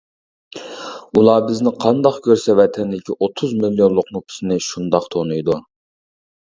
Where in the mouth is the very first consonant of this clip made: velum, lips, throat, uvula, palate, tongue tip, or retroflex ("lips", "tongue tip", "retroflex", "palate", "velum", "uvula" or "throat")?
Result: tongue tip